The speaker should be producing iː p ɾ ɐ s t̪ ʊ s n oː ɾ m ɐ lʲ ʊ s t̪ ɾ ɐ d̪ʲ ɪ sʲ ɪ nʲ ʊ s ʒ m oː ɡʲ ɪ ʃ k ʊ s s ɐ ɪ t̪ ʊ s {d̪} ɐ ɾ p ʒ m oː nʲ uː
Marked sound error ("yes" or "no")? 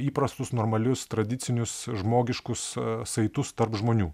yes